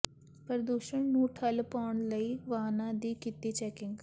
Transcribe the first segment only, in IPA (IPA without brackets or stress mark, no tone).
p